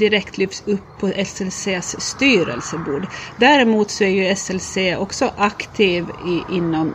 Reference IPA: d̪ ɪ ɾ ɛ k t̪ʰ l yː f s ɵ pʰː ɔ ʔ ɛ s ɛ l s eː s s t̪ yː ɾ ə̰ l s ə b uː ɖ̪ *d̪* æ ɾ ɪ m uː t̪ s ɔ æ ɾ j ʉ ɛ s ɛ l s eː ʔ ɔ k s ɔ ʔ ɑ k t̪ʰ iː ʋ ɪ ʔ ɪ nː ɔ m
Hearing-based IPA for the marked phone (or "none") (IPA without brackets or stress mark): d̪